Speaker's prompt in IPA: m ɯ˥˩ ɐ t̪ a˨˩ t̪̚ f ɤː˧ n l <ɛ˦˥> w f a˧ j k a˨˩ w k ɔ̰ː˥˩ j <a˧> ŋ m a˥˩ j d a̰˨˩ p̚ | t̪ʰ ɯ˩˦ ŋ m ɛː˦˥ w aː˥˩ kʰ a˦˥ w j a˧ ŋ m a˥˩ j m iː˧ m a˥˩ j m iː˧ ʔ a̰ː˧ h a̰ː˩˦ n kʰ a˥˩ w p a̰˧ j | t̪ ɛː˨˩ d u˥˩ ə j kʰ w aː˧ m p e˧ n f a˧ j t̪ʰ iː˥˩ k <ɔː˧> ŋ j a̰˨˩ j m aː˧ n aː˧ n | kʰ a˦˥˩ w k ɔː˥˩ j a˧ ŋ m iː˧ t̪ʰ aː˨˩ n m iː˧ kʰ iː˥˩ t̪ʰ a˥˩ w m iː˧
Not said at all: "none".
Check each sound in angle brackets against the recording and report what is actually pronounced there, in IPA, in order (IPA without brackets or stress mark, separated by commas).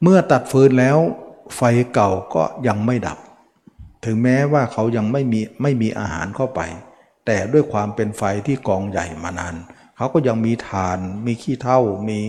ɛː˦˥, a˧, ɔː˧